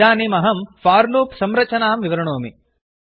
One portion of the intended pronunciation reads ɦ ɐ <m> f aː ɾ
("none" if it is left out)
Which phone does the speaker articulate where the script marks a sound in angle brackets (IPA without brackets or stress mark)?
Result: m